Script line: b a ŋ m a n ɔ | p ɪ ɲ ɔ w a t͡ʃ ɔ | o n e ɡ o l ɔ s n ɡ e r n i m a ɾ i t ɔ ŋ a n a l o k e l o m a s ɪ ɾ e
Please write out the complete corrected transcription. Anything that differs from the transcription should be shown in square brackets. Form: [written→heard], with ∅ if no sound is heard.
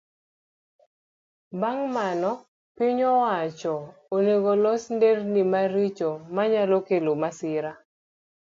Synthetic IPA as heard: b a ŋ m a n ɔ | p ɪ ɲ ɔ w a t͡ʃ ɔ | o n e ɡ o l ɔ s n [ɡ→d] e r n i m a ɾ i [t→t͡ʃ] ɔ [ŋ→m] a [n→ɲ] a l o k e l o m a s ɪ ɾ [e→a]